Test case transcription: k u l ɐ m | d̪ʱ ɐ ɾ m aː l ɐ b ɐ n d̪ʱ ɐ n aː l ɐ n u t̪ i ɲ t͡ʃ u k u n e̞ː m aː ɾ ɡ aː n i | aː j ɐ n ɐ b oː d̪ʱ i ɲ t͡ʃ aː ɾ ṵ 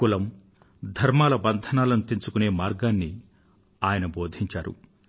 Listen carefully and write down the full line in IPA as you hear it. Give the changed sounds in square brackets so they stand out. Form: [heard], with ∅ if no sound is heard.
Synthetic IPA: k u l ɐ m | d̪ʱ ɐ ɾ m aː l ɐ b ɐ n d̪ʱ ɐ n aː l ɐ n u t̪ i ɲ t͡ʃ u k u n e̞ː m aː ɾ ɡ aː [nː] i | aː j ɐ n ɐ b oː d̪ʱ i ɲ t͡ʃ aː ɾ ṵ